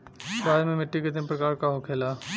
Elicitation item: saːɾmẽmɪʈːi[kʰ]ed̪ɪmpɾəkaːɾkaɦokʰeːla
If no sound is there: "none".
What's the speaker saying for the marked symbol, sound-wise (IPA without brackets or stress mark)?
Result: k